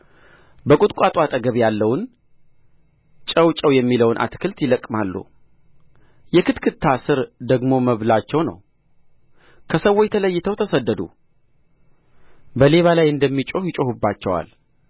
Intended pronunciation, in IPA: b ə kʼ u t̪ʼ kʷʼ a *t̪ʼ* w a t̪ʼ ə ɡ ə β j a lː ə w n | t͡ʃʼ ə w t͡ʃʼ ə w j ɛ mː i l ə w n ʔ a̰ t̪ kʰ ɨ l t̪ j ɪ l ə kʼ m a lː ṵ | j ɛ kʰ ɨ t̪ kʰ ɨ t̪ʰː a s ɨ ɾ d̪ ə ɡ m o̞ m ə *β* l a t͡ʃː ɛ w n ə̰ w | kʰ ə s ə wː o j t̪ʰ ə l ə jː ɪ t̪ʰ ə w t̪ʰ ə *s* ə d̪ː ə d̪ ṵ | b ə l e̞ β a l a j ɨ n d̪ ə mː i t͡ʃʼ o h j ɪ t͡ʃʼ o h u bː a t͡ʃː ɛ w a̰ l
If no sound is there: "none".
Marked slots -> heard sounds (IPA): t̪ʼ, β, s

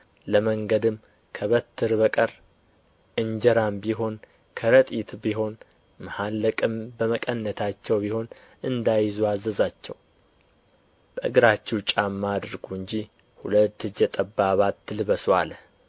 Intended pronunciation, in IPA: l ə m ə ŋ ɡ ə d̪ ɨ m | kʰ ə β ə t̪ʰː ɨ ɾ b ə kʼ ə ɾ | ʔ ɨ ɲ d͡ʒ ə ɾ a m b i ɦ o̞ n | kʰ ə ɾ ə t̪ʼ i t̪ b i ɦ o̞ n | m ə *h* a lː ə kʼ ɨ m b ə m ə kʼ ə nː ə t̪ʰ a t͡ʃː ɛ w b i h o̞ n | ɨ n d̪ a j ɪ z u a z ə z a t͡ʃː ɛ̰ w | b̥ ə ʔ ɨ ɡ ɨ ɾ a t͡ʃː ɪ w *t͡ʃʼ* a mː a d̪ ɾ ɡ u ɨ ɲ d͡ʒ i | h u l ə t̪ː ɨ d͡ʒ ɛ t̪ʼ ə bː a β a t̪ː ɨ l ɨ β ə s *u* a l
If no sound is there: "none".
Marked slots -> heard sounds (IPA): h, t͡ʃʼ, w

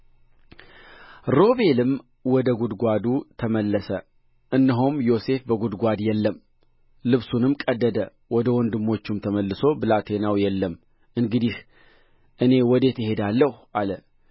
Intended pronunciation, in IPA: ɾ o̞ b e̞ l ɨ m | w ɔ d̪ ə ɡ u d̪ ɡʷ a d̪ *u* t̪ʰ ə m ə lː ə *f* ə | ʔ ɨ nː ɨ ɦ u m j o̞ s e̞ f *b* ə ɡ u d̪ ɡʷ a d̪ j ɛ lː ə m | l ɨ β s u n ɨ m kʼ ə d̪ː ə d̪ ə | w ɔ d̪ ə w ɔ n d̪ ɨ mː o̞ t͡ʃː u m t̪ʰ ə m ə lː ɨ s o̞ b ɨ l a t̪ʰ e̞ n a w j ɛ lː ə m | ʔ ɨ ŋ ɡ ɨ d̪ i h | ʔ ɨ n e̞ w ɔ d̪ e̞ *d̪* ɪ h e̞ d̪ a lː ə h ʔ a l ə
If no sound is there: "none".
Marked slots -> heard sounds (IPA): u, s, b, t̪

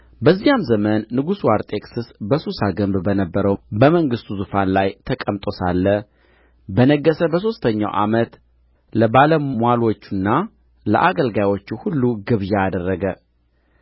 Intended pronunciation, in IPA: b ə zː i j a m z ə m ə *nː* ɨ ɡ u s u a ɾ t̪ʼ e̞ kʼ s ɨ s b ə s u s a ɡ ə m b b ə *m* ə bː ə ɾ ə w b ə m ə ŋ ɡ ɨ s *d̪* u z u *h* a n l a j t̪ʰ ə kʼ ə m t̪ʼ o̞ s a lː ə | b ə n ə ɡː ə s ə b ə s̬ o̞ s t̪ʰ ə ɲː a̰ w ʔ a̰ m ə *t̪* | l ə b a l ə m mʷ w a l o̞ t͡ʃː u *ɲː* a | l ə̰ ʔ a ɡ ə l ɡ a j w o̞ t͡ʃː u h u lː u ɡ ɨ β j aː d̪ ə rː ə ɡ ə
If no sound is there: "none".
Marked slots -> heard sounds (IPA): nː, n, t̪, f, t̪, nː

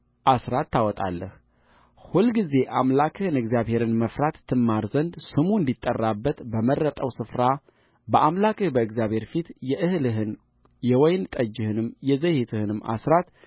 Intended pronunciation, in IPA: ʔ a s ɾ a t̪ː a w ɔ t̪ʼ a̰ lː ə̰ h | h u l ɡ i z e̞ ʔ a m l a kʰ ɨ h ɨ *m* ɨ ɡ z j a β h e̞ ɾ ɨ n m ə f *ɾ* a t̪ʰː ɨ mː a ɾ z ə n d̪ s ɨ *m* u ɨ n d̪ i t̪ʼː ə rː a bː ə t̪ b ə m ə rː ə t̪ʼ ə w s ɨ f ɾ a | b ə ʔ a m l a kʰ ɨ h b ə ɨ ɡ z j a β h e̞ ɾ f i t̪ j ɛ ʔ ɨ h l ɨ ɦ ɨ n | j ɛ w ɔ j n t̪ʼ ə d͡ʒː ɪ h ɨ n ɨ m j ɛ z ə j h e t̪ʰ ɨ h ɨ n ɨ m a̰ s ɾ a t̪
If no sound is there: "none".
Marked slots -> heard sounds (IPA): n, ɾ, m

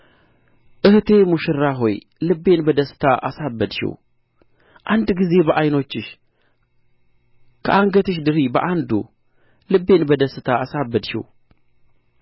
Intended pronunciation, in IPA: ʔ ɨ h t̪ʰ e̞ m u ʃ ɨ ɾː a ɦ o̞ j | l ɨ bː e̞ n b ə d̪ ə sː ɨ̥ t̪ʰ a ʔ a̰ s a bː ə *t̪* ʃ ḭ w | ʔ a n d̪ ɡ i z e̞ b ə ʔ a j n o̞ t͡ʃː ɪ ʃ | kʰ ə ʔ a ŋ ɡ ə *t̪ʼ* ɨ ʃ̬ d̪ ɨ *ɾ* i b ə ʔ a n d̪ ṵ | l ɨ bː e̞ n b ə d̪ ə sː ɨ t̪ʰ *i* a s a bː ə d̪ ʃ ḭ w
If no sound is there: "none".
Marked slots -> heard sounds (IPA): d̪, t̪, ɾ, a

